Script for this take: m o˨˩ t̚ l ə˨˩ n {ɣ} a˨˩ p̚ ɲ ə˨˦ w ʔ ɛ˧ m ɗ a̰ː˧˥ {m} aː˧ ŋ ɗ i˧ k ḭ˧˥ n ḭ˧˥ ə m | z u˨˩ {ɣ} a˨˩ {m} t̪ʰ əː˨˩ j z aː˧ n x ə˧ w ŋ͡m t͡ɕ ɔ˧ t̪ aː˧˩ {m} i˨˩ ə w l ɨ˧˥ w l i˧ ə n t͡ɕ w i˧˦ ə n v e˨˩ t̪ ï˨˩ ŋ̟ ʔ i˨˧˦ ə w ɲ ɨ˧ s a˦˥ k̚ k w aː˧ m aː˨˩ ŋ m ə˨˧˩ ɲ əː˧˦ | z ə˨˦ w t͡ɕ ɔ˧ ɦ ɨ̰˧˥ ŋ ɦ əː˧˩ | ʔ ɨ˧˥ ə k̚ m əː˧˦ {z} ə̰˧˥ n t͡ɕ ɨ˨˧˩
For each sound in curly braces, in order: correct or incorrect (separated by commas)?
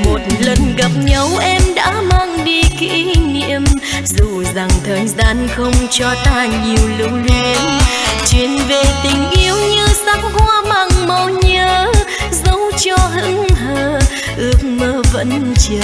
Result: correct, correct, incorrect, incorrect, incorrect, incorrect